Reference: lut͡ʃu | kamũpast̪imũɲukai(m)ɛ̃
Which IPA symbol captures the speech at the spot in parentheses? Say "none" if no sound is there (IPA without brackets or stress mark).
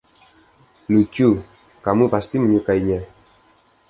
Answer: ɲ